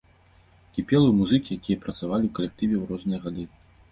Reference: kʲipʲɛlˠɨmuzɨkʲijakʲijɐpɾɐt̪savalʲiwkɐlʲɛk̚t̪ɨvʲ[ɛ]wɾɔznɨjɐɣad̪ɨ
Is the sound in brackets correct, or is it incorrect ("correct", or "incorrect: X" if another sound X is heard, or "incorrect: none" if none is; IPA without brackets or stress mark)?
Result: correct